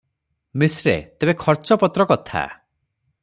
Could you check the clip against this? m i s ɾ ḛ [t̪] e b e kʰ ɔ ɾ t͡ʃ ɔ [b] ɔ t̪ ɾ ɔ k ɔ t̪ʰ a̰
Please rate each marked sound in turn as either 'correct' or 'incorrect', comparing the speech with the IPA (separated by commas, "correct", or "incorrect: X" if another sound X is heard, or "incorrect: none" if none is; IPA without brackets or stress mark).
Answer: correct, incorrect: p